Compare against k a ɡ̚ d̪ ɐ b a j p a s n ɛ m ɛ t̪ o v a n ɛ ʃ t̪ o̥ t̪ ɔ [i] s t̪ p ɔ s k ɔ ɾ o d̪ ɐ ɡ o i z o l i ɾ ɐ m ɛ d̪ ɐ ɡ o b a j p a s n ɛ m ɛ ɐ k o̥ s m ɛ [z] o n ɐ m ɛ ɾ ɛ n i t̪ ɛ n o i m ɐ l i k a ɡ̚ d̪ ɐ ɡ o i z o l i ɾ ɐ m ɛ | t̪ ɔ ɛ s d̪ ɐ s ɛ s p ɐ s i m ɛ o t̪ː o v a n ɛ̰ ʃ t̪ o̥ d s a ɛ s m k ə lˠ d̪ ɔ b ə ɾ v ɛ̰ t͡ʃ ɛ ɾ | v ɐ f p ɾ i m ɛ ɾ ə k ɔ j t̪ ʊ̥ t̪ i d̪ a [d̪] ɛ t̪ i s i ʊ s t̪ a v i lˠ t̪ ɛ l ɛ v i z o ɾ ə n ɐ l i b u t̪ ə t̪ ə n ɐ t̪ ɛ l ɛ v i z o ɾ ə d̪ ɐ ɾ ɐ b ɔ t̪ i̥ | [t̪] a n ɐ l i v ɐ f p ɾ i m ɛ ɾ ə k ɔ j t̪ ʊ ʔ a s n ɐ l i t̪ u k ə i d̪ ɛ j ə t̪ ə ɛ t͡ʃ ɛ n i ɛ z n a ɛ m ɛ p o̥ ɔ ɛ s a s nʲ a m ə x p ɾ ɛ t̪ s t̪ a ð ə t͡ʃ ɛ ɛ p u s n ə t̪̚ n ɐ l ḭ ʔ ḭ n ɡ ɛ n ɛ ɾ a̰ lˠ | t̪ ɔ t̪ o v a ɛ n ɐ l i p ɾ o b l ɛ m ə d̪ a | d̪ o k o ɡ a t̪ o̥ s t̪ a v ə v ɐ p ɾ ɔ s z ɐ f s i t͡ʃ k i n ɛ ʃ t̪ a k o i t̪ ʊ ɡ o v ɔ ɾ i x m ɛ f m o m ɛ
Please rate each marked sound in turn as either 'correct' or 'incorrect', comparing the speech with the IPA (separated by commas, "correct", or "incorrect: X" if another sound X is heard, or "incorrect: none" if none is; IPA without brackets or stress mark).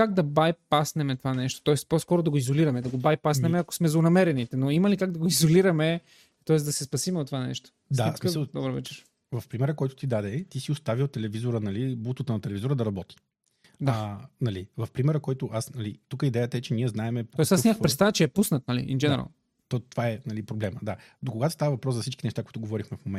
incorrect: ɛ, correct, correct, incorrect: d̪